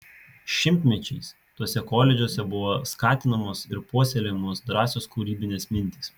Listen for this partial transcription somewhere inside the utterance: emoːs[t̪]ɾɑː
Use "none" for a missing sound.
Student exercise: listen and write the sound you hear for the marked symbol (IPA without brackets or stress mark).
d̪